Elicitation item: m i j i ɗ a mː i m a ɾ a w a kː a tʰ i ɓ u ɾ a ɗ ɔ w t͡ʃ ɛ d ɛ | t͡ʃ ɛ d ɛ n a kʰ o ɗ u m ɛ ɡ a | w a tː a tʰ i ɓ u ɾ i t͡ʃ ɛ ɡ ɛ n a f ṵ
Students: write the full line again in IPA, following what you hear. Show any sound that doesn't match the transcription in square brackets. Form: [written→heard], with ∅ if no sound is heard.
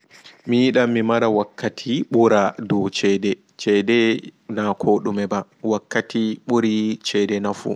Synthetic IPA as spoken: m i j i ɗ a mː i m a ɾ a w a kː a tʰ i ɓ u ɾ a [ɗ→d] ɔ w t͡ʃ ɛ d ɛ | t͡ʃ ɛ d ɛ n a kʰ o ɗ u m ɛ [ɡ→b] a | w a [tː→kː] a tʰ i ɓ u ɾ i t͡ʃ ɛ [ɡ→d] ɛ n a f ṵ